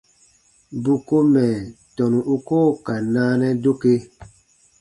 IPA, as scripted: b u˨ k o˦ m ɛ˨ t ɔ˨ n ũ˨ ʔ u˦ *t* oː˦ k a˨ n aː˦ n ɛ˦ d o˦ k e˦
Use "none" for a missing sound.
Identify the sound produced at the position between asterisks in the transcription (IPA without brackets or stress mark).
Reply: k